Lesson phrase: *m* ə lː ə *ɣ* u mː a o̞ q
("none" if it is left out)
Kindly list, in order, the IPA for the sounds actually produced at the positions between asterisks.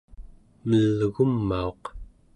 m, ɣ

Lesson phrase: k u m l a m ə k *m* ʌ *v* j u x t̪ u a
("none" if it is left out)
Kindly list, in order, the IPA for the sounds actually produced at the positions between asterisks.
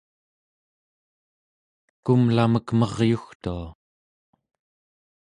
m, ʁ

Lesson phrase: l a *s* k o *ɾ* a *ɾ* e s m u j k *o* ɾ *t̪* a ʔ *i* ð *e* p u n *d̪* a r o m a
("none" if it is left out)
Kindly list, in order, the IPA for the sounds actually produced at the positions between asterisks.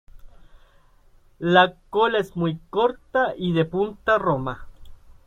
none, l, none, o, t̪, i, e, t̪

